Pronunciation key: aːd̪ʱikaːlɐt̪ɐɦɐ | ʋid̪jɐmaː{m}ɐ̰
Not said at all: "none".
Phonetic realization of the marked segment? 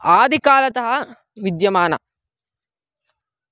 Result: n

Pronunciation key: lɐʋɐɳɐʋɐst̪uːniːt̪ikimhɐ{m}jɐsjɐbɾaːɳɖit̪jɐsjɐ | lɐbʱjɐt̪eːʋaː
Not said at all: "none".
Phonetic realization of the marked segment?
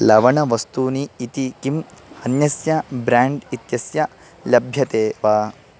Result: n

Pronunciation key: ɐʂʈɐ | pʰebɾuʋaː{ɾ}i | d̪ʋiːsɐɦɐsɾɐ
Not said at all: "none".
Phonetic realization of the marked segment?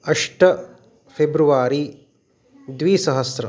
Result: ɾ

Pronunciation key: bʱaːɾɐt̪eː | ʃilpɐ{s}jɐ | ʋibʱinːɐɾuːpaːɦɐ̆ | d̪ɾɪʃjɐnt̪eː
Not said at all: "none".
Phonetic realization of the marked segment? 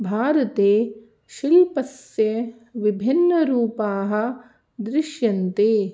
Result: s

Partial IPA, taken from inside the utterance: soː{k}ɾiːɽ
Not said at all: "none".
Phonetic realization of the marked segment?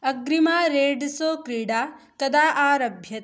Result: k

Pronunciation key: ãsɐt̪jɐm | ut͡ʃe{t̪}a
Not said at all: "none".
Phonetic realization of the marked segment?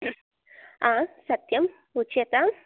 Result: t̪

